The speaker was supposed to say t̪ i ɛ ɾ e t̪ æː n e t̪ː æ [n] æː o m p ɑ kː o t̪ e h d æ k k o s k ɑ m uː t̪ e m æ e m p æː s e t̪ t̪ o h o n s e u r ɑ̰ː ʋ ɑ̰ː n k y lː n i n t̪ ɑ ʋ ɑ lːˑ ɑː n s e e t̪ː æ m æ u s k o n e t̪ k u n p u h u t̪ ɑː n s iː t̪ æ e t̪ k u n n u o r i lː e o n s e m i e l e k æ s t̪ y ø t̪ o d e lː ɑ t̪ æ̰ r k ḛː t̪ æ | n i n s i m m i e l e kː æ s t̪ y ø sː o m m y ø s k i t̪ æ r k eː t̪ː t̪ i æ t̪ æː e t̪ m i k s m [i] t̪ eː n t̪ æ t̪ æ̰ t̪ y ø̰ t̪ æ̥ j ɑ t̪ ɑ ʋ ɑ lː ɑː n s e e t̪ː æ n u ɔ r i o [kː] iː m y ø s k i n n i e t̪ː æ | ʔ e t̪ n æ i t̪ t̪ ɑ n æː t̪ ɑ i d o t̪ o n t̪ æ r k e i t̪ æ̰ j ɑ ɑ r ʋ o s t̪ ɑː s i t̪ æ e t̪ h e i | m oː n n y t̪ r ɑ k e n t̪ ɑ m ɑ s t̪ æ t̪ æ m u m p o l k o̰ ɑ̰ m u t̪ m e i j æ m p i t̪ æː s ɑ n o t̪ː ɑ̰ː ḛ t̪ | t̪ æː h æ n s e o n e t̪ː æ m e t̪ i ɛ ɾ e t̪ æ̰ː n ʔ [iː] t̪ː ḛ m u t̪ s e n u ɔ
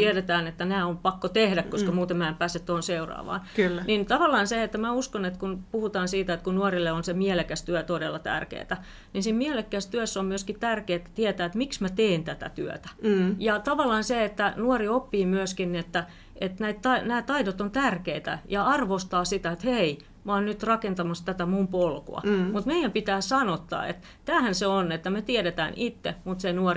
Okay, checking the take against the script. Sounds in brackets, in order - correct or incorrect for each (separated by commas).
correct, incorrect, incorrect, incorrect